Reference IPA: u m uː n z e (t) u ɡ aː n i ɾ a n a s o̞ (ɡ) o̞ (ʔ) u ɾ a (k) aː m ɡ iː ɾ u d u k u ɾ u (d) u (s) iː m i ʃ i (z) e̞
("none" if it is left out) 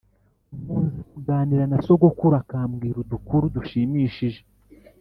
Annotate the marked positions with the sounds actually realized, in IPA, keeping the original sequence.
k, ɡ, k, k, d, ʃ, ʒ

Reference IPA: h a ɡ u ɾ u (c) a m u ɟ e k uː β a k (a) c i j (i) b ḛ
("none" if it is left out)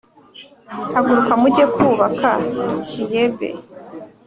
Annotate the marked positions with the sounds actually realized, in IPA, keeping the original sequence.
k, a, e

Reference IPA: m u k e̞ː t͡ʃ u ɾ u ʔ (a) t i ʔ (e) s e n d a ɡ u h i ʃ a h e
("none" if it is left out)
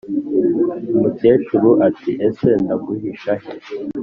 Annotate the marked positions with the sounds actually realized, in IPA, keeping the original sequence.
a, e

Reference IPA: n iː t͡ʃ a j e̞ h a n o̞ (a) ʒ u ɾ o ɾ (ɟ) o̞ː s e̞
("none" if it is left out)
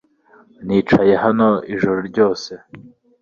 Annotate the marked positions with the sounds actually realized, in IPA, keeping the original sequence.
i, ɟ

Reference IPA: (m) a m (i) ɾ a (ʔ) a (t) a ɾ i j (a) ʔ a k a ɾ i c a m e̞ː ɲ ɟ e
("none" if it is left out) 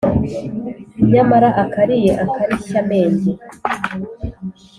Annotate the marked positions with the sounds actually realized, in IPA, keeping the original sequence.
ɲ, a, ʔ, k, e

